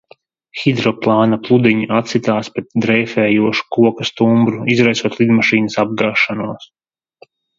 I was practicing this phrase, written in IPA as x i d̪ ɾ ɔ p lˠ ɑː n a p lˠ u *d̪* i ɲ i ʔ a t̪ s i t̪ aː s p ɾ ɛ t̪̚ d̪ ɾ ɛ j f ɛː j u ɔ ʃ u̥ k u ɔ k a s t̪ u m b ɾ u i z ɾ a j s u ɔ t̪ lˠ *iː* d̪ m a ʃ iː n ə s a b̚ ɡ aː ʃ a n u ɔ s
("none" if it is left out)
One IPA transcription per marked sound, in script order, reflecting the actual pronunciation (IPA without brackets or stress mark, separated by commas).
d̪, i